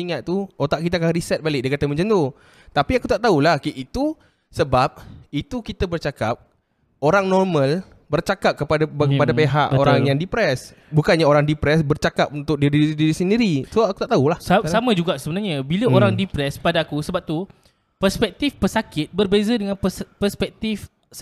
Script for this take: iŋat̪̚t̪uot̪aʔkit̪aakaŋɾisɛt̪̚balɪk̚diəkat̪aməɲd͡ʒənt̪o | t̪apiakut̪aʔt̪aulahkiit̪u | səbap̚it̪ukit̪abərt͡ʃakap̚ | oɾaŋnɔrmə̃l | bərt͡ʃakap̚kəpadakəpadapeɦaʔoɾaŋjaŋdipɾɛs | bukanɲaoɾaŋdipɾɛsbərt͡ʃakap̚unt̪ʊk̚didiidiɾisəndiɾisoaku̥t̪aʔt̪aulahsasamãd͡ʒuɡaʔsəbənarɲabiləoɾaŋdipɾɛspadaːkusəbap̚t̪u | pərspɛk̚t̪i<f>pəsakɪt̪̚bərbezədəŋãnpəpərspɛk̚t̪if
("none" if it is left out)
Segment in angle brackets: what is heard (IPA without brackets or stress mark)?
f